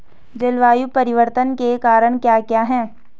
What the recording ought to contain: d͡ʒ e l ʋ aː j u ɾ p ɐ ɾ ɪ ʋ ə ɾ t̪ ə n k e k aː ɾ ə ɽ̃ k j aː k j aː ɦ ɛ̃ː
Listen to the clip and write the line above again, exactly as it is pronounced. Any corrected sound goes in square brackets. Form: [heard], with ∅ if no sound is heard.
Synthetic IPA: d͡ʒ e l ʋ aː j u [∅] p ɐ ɾ ɪ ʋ ə ɾ t̪ ə n k e k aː ɾ ə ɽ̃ k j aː k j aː ɦ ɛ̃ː